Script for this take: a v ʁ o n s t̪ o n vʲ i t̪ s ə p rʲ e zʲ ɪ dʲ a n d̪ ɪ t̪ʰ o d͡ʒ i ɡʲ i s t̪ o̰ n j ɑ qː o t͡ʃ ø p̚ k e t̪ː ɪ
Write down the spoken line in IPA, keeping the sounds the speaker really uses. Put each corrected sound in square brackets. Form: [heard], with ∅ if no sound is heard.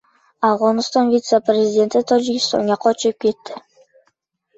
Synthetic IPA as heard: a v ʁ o n s t̪ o n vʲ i t̪ s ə p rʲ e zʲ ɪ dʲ [e] n [t̪] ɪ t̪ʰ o d͡ʒ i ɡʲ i s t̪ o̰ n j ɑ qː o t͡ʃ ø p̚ k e t̪ː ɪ